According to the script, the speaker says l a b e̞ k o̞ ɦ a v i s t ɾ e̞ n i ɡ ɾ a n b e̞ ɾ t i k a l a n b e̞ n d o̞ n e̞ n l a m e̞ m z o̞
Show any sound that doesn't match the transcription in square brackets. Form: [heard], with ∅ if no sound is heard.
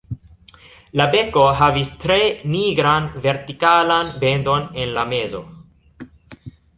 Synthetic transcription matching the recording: l a b e̞ k o̞ ɦ a v i s t ɾ e̞ n i ɡ ɾ a n [v] e̞ ɾ t i k a l a n b e̞ n d o̞ n e̞ n l a m e̞ [∅] z o̞